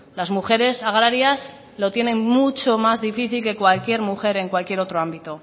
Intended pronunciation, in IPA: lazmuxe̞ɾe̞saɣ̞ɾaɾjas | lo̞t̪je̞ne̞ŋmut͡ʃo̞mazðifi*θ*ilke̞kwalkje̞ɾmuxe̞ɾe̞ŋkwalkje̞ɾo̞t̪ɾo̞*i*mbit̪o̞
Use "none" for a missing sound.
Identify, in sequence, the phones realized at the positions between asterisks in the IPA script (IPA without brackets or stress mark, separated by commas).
θ, a